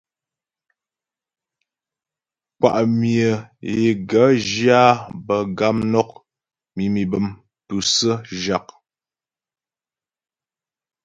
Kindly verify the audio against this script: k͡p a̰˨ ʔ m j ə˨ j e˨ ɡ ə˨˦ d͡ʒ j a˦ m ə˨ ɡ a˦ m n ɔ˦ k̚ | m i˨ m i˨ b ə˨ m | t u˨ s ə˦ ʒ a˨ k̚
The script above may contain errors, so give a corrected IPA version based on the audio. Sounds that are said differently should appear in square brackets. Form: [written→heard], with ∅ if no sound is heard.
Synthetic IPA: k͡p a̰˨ ʔ m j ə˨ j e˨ ɡ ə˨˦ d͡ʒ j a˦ [m→b] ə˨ ɡ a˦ m n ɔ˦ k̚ | m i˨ m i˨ b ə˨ m | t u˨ s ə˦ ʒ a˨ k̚